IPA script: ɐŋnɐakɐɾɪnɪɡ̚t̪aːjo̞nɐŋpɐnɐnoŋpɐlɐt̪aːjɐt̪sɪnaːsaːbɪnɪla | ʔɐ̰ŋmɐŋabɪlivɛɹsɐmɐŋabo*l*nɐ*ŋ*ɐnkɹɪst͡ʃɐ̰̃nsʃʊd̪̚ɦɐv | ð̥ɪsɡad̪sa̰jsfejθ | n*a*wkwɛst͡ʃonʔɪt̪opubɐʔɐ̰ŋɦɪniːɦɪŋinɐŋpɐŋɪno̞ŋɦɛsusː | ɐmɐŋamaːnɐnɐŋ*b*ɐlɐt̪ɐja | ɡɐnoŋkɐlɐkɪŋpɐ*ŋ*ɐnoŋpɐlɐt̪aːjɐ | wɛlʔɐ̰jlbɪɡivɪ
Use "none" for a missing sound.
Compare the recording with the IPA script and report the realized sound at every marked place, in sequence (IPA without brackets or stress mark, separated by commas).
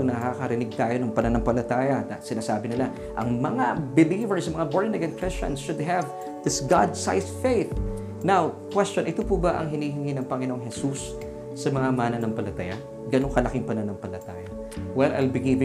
ɹ, ɡ, a, p, n